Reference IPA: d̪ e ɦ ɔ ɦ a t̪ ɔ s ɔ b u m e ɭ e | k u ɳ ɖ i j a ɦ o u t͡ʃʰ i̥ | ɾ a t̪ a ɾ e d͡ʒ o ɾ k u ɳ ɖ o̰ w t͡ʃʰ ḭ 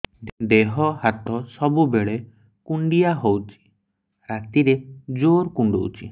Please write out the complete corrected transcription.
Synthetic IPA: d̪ e ɦ ɔ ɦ a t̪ ɔ s ɔ b u b e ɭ e | k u ɳ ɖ i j a ɦ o w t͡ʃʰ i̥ | ɾ a t̪ i ɾ e d͡ʒ o ɾ k u ɳ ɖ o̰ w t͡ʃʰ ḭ